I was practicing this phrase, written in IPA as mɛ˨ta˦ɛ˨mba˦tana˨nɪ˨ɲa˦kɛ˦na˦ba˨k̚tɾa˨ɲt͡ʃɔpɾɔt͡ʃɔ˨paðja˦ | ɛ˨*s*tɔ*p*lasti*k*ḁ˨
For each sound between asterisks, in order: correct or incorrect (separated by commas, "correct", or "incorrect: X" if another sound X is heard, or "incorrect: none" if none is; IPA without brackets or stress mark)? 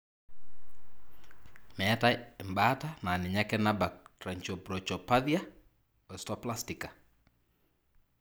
correct, correct, correct